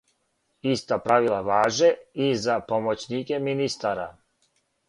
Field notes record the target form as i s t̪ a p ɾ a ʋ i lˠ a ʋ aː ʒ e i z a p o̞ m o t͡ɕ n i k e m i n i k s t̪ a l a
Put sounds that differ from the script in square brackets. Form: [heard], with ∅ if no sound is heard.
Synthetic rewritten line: i s t̪ a p ɾ a ʋ i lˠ a ʋ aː ʒ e i z a p o̞ m o t͡ɕ n i k e m i n i [∅] s t̪ a [ɾ] a